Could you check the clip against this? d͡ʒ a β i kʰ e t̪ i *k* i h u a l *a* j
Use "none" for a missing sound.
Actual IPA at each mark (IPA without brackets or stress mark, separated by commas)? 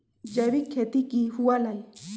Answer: k, a